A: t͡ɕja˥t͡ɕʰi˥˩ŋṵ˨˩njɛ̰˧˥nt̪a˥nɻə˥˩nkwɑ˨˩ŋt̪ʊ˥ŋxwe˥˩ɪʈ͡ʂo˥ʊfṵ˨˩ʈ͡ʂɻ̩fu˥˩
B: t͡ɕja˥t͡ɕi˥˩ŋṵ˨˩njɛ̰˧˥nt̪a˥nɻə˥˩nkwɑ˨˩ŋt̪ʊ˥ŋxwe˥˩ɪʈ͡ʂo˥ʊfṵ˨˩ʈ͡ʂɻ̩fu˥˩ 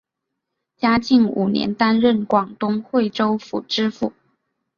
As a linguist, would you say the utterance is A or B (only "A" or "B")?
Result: B